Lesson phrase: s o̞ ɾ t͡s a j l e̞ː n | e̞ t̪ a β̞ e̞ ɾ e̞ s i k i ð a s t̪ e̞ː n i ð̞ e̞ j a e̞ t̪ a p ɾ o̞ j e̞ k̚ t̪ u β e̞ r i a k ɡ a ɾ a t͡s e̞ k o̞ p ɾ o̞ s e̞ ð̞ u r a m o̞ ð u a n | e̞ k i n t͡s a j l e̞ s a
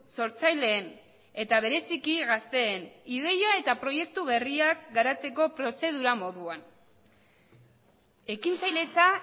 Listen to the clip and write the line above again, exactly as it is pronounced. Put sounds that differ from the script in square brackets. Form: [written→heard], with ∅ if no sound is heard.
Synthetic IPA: s o̞ ɾ t͡s a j l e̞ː n | e̞ t̪ a β̞ e̞ ɾ e̞ s i k i [ð→ɣ] a s t̪ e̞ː n i ð̞ e̞ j a e̞ t̪ a p ɾ o̞ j e̞ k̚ t̪ u β e̞ r i a k ɡ a ɾ a t͡s e̞ k o̞ p ɾ o̞ s e̞ ð̞ u [r→ɾ] a m o̞ ð u a n | e̞ k i n t͡s a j l e̞ [s→t͡s] a